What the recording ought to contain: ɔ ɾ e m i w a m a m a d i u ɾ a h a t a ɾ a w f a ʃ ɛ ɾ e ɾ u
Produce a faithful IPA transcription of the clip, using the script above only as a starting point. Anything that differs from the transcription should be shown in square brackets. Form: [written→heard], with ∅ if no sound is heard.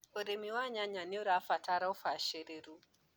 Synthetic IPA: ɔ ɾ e m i w a [m→ɲ] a [m→ɲ] a [d→n] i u ɾ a [h→f] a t a ɾ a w f a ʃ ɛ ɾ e ɾ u